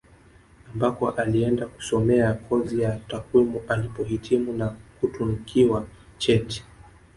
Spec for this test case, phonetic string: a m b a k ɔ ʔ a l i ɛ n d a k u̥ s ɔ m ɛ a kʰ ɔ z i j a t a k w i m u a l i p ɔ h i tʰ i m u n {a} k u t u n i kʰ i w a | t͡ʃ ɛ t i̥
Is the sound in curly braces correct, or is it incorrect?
correct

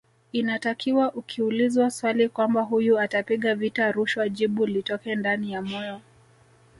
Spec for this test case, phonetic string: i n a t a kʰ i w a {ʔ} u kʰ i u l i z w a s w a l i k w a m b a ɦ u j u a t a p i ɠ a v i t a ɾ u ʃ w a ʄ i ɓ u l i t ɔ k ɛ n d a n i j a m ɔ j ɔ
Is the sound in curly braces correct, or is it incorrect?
correct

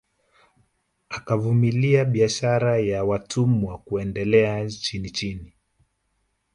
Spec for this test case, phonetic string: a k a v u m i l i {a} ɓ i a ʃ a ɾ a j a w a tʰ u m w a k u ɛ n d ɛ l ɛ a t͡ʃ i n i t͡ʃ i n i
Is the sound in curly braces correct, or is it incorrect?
correct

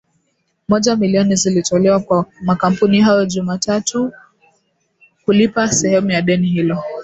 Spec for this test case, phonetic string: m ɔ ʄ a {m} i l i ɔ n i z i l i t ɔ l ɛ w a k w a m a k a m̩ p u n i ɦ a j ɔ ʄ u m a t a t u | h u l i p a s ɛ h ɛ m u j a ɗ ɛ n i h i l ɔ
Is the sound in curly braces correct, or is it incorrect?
correct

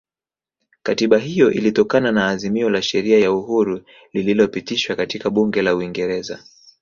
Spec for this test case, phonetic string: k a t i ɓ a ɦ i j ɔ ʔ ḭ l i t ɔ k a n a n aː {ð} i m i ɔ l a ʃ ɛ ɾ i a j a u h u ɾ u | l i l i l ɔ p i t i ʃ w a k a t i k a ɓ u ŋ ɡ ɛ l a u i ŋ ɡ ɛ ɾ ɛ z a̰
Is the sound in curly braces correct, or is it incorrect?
incorrect: z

